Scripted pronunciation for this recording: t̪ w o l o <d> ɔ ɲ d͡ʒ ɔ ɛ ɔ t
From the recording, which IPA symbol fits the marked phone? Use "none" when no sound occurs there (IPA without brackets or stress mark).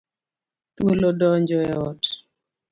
d